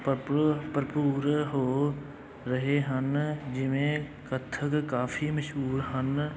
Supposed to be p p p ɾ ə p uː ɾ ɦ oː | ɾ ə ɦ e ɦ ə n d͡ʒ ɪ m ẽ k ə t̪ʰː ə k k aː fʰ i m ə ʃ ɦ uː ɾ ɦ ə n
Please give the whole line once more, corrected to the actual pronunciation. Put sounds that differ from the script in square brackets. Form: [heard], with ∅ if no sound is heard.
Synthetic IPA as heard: p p p ɾ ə p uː ɾ ɦ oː | ɾ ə ɦ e ɦ ə n d͡ʒ ɪ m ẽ k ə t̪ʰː ə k k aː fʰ i m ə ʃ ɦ uː ɾ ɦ ə n